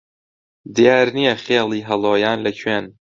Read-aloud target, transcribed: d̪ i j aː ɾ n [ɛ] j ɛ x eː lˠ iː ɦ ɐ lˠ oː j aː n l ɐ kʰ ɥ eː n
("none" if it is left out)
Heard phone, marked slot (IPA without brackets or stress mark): i